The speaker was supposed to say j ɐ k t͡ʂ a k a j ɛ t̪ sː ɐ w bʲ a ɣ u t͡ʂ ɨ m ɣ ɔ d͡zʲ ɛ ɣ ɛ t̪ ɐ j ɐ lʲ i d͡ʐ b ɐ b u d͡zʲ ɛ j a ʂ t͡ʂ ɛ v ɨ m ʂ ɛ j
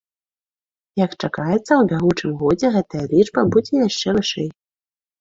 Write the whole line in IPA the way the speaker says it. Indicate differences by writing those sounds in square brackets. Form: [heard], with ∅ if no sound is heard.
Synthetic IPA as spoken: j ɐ k t͡ʂ a k a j ɛ t̪ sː ɐ w bʲ a ɣ u t͡ʂ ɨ m ɣ ɔ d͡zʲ ɛ ɣ ɛ t̪ ɐ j ɐ lʲ i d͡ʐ b ɐ b u d͡zʲ ɛ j a ʂ t͡ʂ ɛ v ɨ [∅] ʂ ɛ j